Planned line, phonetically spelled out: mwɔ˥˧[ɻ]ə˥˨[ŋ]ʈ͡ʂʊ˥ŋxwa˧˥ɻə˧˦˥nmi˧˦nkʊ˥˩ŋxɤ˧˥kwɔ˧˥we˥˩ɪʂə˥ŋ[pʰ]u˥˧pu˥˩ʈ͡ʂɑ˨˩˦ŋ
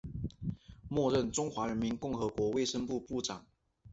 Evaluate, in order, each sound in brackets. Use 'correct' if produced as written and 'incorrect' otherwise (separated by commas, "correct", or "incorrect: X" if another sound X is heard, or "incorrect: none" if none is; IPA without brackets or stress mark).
correct, incorrect: n, incorrect: p